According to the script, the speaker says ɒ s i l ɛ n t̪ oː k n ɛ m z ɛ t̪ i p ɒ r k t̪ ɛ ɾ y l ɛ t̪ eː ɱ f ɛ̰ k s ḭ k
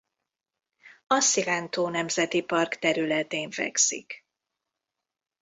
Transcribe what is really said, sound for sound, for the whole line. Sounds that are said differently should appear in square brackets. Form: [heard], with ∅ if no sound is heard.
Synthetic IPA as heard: ɒ s i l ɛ n t̪ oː [∅] n ɛ m z ɛ t̪ i p ɒ r k t̪ ɛ ɾ y l ɛ t̪ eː ɱ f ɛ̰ k s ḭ k